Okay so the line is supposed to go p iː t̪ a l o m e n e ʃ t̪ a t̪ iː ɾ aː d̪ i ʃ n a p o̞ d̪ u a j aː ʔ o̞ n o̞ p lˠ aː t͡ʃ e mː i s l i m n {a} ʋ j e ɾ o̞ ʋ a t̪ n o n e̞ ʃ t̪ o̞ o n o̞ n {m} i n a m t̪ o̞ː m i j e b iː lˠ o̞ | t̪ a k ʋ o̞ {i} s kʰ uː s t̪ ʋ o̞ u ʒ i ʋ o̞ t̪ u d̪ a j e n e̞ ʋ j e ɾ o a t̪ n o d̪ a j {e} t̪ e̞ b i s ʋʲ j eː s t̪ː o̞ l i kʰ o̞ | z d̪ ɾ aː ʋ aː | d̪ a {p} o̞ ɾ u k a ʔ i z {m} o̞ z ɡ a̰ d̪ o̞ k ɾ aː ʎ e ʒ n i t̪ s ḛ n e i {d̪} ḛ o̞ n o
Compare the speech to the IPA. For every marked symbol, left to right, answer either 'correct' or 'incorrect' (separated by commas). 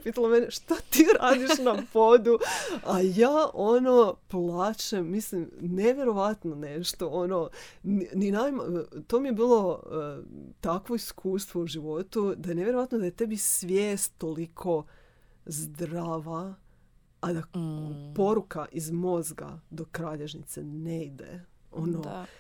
incorrect, incorrect, correct, correct, correct, correct, correct